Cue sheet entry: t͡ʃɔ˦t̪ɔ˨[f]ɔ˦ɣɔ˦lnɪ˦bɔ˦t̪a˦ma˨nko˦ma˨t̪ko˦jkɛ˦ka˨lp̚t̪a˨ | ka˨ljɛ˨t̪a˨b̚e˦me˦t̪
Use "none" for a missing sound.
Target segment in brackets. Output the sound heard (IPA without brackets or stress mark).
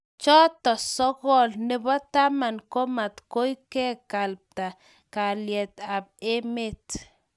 s